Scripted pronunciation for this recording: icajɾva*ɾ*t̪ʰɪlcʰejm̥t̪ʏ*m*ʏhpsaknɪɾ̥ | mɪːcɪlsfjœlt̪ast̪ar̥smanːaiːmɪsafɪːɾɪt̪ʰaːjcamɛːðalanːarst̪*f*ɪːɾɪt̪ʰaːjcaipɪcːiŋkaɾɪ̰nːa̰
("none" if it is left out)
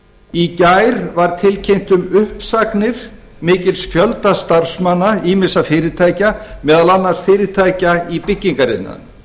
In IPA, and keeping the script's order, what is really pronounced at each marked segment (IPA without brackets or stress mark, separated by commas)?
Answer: ɾ, m, f